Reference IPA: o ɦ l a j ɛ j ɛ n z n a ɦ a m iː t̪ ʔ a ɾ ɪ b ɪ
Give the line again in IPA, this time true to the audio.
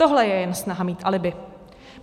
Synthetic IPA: o ɦ l ɛ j ɛ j ɛ n s n a ɦ a m iː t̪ ʔ a l ɪ b ɪ